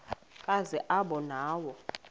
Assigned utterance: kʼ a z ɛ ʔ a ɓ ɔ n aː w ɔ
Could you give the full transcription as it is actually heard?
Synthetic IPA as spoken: kʼ a z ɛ ʔ a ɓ ɔ n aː w ɔ